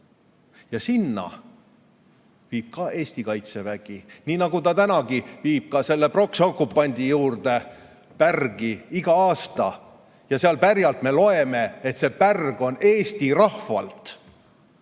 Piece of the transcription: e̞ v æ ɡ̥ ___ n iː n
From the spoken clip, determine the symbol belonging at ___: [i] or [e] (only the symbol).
i